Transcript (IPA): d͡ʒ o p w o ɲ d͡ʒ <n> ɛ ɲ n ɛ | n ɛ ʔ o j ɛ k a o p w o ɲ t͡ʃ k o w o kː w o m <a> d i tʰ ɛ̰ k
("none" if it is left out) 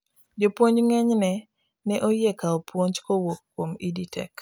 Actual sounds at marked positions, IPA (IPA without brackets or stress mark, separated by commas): ŋ, i